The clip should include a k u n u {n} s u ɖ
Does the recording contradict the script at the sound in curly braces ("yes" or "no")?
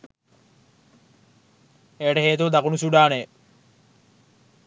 yes